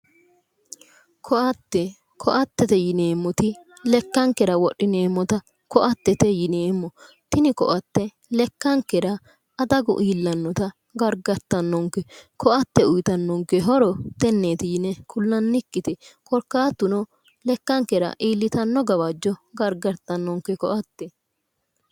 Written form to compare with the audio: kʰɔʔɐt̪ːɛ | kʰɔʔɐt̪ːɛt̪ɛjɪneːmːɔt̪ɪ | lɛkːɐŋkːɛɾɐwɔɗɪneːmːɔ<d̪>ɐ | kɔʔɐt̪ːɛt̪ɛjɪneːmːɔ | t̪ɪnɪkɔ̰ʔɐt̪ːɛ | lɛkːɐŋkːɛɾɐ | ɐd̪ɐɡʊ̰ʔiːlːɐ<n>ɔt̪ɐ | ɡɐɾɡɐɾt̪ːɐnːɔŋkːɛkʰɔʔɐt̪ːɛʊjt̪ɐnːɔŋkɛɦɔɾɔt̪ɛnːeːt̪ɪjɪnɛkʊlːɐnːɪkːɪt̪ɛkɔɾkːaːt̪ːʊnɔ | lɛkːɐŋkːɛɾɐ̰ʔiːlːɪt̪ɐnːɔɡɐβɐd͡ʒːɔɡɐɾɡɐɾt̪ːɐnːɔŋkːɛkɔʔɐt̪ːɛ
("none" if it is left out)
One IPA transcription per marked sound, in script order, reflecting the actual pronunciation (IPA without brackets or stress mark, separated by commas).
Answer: t̪, nː